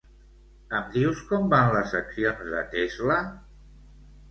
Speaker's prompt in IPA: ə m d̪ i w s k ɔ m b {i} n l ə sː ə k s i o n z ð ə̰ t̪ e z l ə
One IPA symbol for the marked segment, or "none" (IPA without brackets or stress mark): a